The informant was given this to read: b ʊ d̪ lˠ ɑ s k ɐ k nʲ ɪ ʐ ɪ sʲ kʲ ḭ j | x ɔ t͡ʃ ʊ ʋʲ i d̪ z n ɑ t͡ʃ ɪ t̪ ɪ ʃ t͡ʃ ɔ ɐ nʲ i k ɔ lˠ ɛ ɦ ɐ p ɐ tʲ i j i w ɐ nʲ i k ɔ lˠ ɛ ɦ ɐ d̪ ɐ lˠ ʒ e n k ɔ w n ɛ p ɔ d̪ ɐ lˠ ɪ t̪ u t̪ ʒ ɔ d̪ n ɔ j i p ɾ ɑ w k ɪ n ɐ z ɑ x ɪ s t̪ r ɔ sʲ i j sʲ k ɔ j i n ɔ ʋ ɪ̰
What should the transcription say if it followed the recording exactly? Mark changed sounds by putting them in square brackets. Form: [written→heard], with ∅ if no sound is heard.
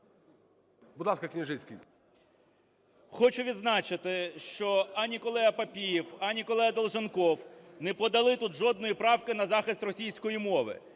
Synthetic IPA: b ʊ d̪ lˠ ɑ s k ɐ k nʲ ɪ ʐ ɪ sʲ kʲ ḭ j | x ɔ t͡ʃ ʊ ʋʲ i d̪ z n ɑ t͡ʃ ɪ t̪ ɪ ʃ t͡ʃ ɔ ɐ nʲ i k ɔ lˠ ɛ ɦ ɐ p ɐ [tʲ→pʲ] i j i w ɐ nʲ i k ɔ lˠ ɛ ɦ ɐ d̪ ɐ lˠ ʒ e n k ɔ w n ɛ p ɔ d̪ ɐ lˠ ɪ t̪ u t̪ ʒ ɔ d̪ n ɔ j i p ɾ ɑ w k ɪ n ɐ z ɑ x ɪ s t̪ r ɔ sʲ i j sʲ k ɔ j i [n→m] ɔ ʋ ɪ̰